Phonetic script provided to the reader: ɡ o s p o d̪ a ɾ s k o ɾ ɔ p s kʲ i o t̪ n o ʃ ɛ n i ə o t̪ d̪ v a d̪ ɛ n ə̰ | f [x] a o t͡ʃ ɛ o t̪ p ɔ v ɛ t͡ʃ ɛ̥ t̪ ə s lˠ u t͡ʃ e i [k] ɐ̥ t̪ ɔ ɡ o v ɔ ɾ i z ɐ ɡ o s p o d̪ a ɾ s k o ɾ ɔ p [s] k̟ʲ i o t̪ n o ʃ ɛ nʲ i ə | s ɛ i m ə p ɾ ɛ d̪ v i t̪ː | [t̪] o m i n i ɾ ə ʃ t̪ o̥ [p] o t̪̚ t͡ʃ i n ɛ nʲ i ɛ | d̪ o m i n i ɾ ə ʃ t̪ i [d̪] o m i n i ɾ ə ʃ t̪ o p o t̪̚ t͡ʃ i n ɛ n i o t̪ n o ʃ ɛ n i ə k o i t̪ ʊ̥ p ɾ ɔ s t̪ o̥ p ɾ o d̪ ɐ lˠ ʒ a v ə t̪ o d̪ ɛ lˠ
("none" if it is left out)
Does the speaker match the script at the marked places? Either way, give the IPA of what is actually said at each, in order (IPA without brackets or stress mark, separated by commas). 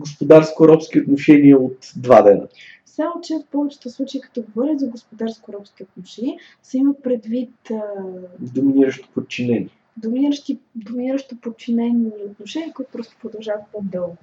s, k, s, d̪, p, d̪